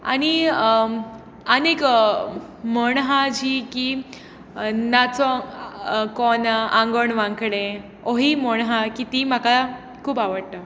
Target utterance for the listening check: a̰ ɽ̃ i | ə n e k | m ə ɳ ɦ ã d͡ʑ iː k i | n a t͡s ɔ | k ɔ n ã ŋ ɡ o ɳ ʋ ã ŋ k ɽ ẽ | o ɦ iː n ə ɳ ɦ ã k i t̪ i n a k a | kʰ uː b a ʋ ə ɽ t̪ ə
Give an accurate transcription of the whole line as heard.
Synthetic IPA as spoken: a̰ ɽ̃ i | ə n e k | m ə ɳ ɦ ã d͡ʑ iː k i | n a t͡s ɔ | k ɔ n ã ŋ ɡ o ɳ ʋ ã ŋ k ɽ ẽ | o ɦ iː m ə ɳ ɦ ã k i t̪ i m a k a | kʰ uː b a ʋ ə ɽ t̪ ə